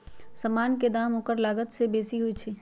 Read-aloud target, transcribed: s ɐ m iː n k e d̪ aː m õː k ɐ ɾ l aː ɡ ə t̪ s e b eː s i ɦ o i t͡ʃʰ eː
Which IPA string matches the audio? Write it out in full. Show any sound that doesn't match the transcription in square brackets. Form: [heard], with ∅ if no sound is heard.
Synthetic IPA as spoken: s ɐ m [aː] n k e d̪ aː m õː k [ə] ɾ l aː ɡ ə t̪ s e b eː s i ɦ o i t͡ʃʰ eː

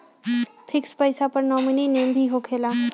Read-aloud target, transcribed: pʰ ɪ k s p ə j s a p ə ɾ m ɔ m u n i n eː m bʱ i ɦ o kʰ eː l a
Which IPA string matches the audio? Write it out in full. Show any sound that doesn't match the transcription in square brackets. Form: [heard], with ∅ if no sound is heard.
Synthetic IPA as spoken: pʰ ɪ k s p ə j s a p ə ɾ [n] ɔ m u n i n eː m bʱ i ɦ o kʰ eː l a

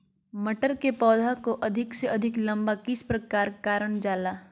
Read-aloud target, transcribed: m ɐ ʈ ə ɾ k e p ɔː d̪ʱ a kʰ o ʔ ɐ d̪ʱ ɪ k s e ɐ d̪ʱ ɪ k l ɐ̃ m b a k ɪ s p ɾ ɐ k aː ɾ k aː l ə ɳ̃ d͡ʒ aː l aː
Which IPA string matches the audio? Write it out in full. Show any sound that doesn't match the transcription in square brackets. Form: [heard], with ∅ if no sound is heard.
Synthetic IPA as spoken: m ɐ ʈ ə ɾ k e p ɔː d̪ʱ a [k] o ʔ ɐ d̪ʱ ɪ k s e ɐ d̪ʱ ɪ k l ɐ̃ m b a k ɪ s p ɾ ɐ k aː ɾ k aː [ɾ] ə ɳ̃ d͡ʒ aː l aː

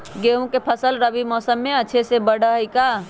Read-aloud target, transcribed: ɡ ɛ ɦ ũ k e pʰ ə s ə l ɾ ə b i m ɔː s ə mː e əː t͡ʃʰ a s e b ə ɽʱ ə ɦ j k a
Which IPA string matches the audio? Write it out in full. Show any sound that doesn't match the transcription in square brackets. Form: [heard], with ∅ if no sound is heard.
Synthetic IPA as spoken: ɡ [e] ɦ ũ k e pʰ ə s ə l ɾ ə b i m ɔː s ə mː e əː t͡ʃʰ [e] s e b ə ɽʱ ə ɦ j k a

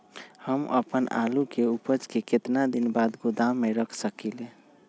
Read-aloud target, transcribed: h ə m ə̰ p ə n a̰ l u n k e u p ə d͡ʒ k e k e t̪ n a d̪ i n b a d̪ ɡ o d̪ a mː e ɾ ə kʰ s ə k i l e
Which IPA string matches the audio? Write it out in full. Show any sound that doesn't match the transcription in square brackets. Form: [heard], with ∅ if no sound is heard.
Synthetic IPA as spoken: h ə m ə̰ p ə n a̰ l u [∅] k e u p ə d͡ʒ k e k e t̪ n a d̪ i n b a d̪ ɡ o d̪ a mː e ɾ ə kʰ s ə k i l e

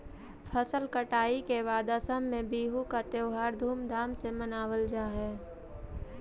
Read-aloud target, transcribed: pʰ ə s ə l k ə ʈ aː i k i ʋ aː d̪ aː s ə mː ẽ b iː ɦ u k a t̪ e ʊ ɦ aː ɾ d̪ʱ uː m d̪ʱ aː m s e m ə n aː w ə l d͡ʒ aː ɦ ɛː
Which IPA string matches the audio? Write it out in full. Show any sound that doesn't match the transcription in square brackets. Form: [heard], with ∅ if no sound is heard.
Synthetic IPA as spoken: pʰ ə s ə l k ə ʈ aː i k [e] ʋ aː d̪ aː s ə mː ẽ b iː ɦ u k a t̪ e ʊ ɦ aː ɾ d̪ʱ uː m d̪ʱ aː m s e m ə n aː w ə l d͡ʒ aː ɦ ɛː

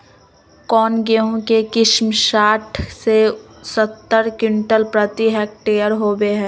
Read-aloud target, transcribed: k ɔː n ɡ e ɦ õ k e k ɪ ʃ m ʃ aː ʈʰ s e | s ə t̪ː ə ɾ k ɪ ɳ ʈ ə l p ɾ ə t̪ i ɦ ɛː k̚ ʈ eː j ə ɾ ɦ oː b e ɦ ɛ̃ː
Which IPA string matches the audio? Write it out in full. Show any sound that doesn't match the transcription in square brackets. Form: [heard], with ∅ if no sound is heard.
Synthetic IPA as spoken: k ɔː n ɡ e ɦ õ k e k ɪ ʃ m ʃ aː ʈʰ s e | s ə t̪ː ə ɾ k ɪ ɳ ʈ ə l p ɾ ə t̪ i ɦ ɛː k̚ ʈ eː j ə ɾ ɦ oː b e ɦ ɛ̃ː

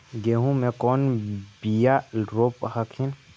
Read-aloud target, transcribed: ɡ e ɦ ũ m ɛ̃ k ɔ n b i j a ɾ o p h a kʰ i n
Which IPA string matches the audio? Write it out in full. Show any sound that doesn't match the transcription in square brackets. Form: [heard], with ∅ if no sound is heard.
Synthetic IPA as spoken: ɡ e ɦ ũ m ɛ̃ k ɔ n b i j a ɾ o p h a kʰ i n

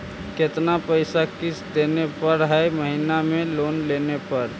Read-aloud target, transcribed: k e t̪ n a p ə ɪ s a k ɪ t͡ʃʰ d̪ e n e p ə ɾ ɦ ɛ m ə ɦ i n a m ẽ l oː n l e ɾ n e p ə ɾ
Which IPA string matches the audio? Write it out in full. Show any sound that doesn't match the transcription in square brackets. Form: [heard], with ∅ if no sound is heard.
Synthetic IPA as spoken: k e t̪ n a p ə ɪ s a k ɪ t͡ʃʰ d̪ e n e p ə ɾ ɦ ɛ m ə ɦ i n a m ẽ l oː n l e [∅] n e p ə ɾ

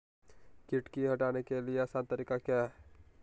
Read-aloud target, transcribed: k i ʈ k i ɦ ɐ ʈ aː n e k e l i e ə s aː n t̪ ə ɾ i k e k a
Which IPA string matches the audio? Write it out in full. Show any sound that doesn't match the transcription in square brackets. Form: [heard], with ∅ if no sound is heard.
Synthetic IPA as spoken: k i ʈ k i ɦ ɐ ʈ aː n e k e l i e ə s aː n t̪ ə ɾ i k [a] k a

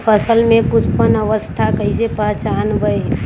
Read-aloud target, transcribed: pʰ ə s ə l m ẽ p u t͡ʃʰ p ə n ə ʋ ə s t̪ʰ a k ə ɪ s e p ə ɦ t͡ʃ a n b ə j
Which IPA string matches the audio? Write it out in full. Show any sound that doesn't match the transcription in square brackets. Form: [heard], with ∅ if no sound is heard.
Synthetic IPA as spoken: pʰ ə s ə l m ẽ [k] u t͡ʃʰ p ə n ə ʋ ə s t̪ʰ a k ə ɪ s e p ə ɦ t͡ʃ a n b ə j

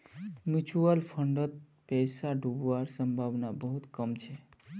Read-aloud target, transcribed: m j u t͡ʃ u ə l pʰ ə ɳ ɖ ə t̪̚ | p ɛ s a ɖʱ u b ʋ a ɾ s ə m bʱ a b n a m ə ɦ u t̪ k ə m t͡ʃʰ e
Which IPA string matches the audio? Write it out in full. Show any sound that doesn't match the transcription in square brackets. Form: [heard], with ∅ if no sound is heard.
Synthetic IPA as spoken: m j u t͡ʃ u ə l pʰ ə ɳ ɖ ə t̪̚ | p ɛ s a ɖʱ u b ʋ a ɾ s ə m bʱ a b n a [b] ə ɦ u t̪ k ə m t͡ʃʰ e

